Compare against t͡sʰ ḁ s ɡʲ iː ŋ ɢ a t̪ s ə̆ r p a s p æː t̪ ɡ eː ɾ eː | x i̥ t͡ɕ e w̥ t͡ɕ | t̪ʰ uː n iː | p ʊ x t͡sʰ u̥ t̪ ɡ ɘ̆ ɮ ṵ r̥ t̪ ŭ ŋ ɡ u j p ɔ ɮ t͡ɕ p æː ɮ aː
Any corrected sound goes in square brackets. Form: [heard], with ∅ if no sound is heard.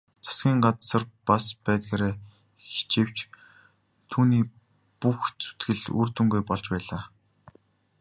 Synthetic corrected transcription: t͡sʰ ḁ s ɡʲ iː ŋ ɢ a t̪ s ə̆ r p a s p æː t̪ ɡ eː ɾ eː | x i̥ t͡ɕ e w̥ t͡ɕ | t̪ʰ uː n iː | p [u] x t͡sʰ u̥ t̪ ɡ ɘ̆ ɮ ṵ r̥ t̪ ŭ ŋ ɡ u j p ɔ ɮ t͡ɕ p æː ɮ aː